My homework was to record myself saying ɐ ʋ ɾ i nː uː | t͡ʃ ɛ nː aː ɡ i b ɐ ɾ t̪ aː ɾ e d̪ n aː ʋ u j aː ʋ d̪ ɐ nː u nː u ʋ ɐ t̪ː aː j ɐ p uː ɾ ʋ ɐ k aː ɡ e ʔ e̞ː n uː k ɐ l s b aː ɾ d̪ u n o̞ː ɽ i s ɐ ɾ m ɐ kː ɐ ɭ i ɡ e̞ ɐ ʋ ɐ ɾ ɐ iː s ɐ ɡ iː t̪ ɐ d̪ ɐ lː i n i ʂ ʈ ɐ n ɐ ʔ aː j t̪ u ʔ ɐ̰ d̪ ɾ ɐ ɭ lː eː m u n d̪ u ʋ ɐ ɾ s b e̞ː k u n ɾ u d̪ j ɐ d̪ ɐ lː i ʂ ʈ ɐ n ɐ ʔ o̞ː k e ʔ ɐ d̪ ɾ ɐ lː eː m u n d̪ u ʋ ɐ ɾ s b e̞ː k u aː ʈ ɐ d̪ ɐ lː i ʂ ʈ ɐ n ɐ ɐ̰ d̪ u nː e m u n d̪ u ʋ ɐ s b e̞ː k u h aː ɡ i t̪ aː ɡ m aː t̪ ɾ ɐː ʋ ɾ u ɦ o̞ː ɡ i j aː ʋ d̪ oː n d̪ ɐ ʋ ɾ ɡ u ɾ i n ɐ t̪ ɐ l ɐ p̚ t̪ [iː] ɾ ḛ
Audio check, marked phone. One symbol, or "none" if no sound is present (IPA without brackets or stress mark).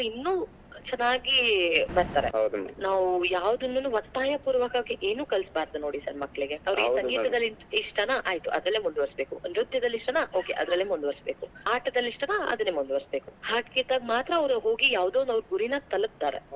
aː